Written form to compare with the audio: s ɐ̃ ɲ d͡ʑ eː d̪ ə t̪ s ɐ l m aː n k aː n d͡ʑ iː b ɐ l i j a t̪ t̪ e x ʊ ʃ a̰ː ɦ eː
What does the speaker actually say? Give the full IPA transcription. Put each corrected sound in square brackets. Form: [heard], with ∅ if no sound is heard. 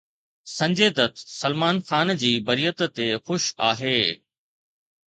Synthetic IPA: s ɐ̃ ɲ d͡ʑ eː d̪ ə t̪ s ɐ l m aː n [x] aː n d͡ʑ iː b ɐ [ɾ] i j [ə] t̪ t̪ e x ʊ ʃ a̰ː ɦ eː

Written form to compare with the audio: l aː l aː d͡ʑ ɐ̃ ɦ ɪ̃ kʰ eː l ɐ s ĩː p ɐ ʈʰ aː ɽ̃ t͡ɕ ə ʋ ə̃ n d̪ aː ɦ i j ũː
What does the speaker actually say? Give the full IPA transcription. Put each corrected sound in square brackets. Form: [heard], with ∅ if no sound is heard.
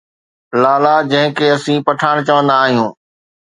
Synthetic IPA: l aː l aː d͡ʑ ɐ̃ ɦ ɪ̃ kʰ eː [∅] ɐ s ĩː p ɐ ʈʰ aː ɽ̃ t͡ɕ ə ʋ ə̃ n d̪ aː ɦ i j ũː

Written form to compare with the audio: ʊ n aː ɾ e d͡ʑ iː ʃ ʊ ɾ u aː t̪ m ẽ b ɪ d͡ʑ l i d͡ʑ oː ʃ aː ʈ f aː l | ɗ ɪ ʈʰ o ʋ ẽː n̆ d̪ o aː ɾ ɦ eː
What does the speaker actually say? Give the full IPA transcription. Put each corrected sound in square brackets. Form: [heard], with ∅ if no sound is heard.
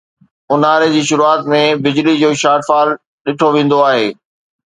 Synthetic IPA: ʊ n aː ɾ e d͡ʑ iː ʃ ʊ ɾ u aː t̪ m ẽ b ɪ d͡ʑ l i d͡ʑ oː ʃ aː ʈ f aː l | ɗ ɪ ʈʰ o ʋ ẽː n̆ d̪ o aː [∅] ɦ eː

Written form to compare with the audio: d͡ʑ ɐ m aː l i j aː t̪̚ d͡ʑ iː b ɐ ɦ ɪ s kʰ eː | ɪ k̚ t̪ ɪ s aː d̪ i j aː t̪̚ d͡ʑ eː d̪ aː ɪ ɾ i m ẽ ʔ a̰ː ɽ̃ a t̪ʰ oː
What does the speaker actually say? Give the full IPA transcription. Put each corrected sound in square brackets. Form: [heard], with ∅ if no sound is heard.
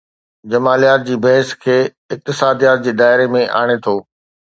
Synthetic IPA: d͡ʑ ɐ m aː l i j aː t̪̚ d͡ʑ iː b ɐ ɦ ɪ s kʰ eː | ɪ k̚ t̪ ɪ s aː d̪ i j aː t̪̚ d͡ʑ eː d̪ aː ɪ ɾ [e] m ẽ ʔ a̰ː ɽ̃ [e] t̪ʰ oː

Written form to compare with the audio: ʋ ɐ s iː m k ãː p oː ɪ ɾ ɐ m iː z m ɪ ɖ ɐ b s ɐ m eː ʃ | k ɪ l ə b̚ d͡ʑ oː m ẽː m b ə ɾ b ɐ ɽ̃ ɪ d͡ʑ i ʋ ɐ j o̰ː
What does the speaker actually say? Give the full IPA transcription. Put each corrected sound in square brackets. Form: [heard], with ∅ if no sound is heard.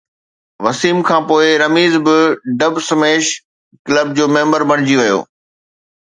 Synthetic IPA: ʋ ɐ s iː m [kʰ] ãː p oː ɪ ɾ ɐ m iː z [b] ɪ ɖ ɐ b s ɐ m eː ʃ | k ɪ l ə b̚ d͡ʑ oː m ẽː m b ə ɾ b ɐ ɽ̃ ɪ d͡ʑ i ʋ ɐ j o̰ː

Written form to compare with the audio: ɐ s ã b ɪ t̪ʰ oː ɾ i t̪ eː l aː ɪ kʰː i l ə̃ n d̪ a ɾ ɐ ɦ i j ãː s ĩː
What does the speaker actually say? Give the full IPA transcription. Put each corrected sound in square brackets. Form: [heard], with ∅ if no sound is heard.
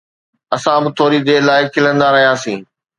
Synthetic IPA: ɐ s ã b ɪ t̪ʰ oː ɾ i [d̪] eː l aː ɪ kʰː [ɪ] l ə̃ n d̪ a ɾ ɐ ɦ i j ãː s ĩː

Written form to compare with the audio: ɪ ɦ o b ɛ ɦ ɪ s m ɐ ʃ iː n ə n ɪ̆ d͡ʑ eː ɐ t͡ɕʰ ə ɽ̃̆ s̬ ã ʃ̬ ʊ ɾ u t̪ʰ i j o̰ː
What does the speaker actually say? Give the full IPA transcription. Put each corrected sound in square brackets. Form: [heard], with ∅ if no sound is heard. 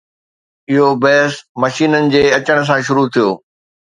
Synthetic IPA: ɪ ɦ o b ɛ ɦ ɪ s m ɐ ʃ iː n ə n ɪ̆ d͡ʑ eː ɐ [t͡ɕ] ə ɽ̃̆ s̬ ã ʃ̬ ʊ ɾ u t̪ʰ i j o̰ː

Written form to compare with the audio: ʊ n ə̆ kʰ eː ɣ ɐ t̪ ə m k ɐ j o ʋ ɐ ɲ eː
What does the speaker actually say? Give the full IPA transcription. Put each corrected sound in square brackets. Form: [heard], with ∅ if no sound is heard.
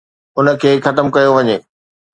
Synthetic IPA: ʊ n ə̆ kʰ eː [x] ɐ t̪ ə m k ɐ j o ʋ ɐ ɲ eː

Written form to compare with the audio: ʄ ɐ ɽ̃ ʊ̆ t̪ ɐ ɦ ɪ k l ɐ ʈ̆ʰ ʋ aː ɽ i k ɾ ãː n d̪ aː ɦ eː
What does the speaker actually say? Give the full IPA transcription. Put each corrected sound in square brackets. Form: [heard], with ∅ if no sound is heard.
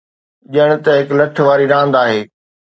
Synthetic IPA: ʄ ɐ ɽ̃ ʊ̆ t̪ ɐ ɦ ɪ k l ɐ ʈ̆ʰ ʋ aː [ɾ] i [∅] ɾ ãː n d̪ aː ɦ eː

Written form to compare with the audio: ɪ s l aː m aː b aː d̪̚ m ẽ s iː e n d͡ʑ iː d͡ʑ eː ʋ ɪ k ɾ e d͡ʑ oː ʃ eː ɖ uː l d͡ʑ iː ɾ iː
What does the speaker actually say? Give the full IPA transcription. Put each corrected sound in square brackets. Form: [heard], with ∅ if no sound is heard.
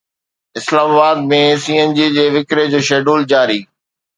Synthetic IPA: ɪ s l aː m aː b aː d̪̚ m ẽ s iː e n d͡ʑ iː d͡ʑ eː ʋ ɪ k ɾ e d͡ʑ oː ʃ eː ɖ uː l d͡ʑ [aː] ɾ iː

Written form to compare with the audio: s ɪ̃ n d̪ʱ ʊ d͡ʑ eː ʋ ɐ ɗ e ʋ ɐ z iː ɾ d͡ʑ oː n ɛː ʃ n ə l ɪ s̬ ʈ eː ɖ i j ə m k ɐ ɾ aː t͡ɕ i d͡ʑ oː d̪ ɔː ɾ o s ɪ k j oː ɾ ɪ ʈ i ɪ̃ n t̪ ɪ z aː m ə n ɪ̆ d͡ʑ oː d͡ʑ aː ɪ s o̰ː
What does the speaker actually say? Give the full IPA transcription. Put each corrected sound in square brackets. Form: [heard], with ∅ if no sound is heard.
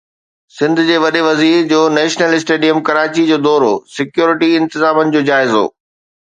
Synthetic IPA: s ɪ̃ n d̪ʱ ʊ d͡ʑ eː ʋ ɐ ɗ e ʋ ɐ z iː ɾ d͡ʑ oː n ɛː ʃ n ə l ɪ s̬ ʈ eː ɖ i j ə m k ɐ ɾ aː t͡ɕ i d͡ʑ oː d̪ ɔː ɾ o s ɪ k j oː ɾ ɪ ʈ i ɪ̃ n t̪ ɪ z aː m ə n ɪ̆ d͡ʑ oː d͡ʑ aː ɪ [z] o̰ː

